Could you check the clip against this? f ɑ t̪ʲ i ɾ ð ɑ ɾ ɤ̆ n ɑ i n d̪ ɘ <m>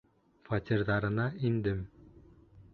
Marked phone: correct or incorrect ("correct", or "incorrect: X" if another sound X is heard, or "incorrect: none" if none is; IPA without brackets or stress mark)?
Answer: correct